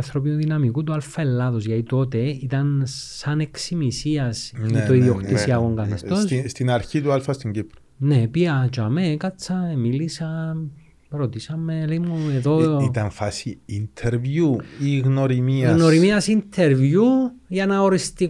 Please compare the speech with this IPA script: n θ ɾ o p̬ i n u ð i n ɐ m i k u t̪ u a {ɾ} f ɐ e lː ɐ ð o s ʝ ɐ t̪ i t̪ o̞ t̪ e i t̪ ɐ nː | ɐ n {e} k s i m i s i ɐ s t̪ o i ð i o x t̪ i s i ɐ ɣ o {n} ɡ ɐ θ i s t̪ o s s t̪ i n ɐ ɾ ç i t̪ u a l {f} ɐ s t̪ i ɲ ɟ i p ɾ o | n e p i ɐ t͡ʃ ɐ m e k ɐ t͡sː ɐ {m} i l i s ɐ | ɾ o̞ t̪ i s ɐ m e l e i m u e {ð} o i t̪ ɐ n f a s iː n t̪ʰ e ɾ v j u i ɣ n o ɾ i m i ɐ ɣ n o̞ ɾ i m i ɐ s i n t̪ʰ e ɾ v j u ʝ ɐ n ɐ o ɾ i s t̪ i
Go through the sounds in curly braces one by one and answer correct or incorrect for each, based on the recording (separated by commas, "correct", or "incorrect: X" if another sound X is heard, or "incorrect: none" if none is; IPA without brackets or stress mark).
incorrect: l, correct, incorrect: ŋ, correct, correct, correct